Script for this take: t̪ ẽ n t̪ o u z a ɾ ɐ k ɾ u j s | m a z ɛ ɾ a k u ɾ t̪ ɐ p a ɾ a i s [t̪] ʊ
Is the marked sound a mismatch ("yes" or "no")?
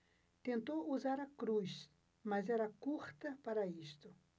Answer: no